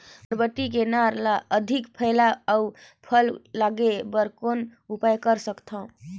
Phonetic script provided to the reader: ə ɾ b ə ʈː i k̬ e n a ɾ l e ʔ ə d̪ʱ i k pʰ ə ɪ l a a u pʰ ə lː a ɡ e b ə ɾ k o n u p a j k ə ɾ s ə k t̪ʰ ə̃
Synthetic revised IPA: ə ɾ b ə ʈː i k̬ e n a ɾ l a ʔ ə d̪ʱ i k pʰ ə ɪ l a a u pʰ ə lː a ɡ e b ə ɾ k o n u p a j k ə ɾ s ə k t̪ʰ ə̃